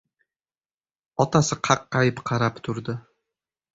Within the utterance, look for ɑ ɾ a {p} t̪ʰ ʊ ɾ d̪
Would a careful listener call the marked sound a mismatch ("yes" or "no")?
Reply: no